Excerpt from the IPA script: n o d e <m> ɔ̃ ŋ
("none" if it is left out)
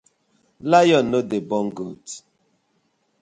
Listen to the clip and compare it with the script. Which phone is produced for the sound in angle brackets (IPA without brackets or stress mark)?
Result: b